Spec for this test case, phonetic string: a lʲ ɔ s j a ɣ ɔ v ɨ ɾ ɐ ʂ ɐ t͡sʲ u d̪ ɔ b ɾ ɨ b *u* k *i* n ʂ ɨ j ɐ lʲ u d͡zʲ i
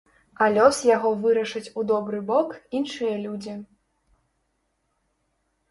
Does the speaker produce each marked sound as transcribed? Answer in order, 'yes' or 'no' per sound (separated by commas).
no, yes